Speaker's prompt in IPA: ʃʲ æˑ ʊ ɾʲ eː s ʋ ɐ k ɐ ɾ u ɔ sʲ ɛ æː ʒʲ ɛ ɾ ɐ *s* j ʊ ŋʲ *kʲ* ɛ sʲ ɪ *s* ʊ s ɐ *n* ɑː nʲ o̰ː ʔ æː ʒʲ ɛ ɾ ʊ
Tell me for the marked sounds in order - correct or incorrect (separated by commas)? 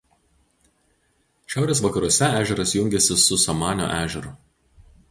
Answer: correct, incorrect, correct, incorrect